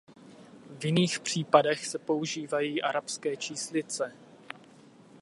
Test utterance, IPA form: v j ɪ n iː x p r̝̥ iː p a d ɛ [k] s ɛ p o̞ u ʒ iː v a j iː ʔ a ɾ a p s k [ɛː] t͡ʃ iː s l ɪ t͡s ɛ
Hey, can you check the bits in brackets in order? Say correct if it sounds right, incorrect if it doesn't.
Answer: incorrect, correct

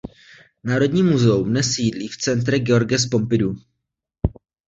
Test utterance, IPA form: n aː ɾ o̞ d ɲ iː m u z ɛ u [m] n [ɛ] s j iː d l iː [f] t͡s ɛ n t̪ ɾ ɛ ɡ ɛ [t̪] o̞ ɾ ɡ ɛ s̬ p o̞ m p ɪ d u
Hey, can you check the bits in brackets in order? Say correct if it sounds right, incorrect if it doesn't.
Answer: correct, correct, correct, incorrect

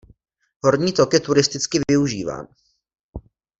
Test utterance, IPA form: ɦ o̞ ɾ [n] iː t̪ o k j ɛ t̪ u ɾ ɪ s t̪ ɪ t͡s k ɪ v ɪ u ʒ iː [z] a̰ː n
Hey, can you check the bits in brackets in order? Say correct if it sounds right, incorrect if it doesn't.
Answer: incorrect, incorrect

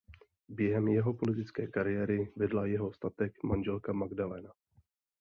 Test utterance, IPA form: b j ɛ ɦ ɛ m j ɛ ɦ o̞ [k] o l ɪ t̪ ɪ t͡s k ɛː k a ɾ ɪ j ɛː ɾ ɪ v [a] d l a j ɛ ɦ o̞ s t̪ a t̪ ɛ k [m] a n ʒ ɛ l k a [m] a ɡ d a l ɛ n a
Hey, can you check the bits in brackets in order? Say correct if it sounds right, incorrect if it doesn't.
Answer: incorrect, incorrect, correct, correct

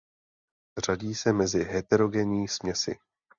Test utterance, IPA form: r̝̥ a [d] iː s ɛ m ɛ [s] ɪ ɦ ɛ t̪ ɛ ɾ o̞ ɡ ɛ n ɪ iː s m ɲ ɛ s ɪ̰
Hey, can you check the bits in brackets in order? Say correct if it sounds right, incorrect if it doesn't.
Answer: incorrect, incorrect

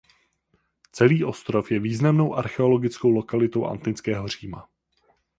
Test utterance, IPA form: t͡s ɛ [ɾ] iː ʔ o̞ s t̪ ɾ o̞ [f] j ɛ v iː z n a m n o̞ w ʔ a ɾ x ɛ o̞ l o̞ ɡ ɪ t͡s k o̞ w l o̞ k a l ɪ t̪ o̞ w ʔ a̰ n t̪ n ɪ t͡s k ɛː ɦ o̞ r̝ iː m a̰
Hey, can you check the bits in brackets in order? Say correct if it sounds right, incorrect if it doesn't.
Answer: incorrect, correct

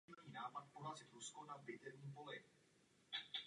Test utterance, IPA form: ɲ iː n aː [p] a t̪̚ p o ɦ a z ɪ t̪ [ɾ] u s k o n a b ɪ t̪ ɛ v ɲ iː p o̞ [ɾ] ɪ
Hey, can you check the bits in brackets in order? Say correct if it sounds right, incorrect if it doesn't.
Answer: correct, correct, incorrect

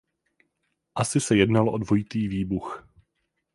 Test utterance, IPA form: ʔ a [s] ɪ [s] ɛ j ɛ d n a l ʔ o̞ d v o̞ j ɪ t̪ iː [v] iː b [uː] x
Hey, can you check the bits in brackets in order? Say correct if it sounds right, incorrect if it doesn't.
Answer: correct, correct, correct, incorrect

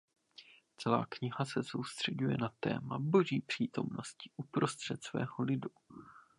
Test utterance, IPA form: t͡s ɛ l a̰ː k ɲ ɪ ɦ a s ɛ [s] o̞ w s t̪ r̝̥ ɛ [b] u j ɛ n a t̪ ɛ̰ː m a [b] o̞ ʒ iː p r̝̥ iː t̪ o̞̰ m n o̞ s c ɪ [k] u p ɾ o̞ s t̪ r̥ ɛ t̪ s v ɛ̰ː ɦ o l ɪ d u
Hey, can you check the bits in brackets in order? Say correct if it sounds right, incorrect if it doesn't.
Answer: correct, incorrect, correct, incorrect

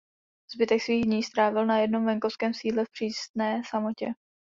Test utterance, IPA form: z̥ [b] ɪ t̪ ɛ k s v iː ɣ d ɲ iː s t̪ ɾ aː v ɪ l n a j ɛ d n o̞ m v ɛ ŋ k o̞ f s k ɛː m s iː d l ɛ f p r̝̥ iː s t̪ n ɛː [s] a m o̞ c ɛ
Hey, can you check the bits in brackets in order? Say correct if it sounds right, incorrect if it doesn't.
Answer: correct, correct

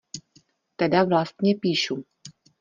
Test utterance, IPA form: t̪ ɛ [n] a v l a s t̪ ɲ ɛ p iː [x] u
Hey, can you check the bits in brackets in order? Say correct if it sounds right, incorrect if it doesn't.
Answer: incorrect, incorrect

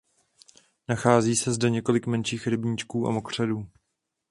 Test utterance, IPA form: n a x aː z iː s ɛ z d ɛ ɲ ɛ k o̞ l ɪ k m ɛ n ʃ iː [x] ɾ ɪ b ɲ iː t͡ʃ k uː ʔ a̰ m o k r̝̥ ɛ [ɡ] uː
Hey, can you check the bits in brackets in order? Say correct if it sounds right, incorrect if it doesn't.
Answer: correct, incorrect

